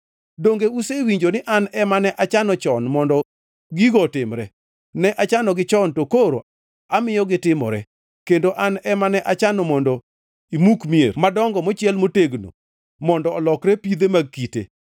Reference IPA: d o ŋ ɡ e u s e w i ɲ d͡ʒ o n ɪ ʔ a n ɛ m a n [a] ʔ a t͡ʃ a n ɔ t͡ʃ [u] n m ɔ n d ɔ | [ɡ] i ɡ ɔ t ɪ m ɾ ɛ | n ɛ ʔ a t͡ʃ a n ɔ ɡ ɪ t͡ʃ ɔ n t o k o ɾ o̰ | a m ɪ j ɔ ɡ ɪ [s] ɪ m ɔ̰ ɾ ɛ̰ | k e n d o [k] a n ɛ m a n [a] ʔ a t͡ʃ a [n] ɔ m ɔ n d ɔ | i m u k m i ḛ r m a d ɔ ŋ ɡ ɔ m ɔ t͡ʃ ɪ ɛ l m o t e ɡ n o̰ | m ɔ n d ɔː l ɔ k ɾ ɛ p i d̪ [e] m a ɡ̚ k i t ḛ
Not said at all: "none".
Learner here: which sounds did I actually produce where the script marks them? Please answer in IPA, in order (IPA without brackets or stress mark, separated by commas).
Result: ɛ, ɔ, ɡ, t, ʔ, ɛ, n, e